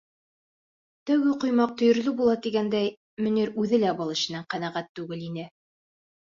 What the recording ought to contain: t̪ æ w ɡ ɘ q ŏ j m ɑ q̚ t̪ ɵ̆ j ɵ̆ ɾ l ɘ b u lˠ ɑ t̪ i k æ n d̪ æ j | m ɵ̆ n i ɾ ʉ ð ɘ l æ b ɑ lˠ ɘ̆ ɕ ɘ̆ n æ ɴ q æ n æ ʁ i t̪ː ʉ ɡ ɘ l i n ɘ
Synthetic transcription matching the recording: t̪ æ w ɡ ɘ q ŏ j m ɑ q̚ t̪ ɵ̆ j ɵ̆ ɾ l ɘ b u lˠ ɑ t̪ i ɡ æ n d̪ æ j | m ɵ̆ n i ɾ ʉ ð ɘ l æ b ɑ lˠ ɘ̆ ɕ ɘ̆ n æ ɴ q æ n æ ʁ æ t̪ː ʉ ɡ ɘ l i n ɘ